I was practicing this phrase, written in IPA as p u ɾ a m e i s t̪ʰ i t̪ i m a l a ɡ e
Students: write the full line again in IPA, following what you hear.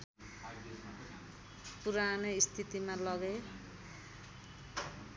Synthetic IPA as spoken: p u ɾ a n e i s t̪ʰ i t̪ i m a l ʌ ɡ e